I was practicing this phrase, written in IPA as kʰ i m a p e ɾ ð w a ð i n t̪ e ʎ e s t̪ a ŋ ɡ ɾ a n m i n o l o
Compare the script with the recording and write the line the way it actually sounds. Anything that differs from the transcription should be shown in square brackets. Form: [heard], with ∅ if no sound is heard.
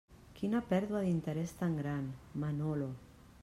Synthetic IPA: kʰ i [n] a p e ɾ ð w a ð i n t̪ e [ɾ] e s t̪ a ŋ ɡ ɾ a n m [a] n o l o